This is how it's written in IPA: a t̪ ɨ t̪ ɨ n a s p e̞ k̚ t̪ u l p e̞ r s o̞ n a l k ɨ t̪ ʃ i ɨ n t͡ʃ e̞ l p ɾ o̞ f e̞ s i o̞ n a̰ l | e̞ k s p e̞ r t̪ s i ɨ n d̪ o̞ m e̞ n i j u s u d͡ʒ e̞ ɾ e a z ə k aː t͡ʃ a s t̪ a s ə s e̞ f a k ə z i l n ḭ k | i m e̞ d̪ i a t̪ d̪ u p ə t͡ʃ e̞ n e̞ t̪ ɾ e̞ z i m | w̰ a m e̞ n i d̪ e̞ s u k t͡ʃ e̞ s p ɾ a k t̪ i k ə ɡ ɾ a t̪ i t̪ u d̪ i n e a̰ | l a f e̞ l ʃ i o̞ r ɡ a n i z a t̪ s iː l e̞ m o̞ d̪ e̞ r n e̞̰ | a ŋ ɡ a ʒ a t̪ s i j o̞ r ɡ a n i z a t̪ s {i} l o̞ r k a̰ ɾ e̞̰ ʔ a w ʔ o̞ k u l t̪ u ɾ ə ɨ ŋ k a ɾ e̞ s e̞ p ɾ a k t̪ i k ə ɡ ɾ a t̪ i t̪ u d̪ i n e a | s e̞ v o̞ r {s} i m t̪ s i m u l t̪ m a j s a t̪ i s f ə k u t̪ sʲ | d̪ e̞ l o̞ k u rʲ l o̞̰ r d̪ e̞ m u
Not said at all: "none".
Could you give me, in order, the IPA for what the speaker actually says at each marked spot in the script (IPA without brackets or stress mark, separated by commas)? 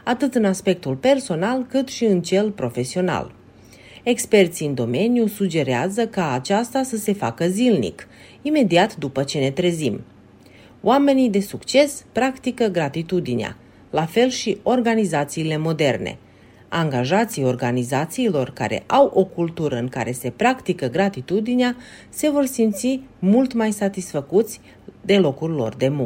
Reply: iː, s